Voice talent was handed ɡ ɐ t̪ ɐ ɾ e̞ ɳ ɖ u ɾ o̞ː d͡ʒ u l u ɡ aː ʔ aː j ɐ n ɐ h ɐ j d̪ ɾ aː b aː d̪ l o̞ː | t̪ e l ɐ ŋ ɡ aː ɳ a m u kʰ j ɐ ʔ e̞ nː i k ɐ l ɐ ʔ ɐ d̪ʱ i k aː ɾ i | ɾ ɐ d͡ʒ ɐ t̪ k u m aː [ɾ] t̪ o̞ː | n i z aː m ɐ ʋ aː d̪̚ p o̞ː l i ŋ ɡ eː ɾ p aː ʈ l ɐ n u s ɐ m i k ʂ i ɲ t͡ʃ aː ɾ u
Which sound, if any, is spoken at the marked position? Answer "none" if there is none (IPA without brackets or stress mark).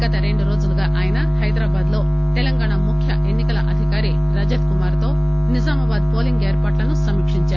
ɾ